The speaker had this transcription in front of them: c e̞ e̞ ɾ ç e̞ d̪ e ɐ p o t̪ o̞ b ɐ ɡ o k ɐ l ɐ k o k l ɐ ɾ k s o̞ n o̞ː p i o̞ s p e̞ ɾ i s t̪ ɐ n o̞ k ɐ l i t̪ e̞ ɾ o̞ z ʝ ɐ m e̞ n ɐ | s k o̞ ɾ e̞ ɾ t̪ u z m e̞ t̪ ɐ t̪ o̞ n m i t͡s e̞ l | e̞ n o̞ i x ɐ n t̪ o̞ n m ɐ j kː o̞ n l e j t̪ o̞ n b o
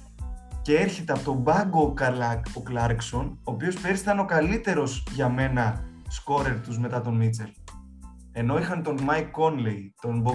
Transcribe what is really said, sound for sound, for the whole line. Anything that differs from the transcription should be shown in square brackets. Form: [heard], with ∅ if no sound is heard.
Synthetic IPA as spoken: c e̞ e̞ ɾ ç e̞ [t̪] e ɐ p o t̪ o̞ b ɐ ɡ o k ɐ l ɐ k o k l ɐ ɾ k s o̞ n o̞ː p i o̞ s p e̞ ɾ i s t̪ ɐ n o̞ k ɐ l i t̪ e̞ ɾ o̞ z ʝ ɐ m e̞ n ɐ | s k o̞ ɾ e̞ ɾ t̪ u z m e̞ t̪ ɐ t̪ o̞ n m i t͡s e̞ l | e̞ n o̞ i x ɐ n t̪ o̞ n m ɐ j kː o̞ n l e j t̪ o̞ n b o